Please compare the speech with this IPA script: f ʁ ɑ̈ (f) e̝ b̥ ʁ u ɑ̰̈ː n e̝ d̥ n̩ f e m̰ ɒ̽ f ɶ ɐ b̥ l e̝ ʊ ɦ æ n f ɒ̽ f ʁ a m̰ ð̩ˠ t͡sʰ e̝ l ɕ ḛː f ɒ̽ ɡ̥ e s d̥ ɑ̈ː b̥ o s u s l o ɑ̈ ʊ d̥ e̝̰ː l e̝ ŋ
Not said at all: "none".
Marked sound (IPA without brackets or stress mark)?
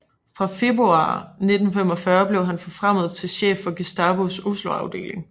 f